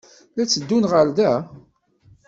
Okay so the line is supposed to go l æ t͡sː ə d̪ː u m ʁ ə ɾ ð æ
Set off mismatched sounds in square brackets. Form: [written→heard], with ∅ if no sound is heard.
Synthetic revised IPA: l æ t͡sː ə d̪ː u [m→n] ʁ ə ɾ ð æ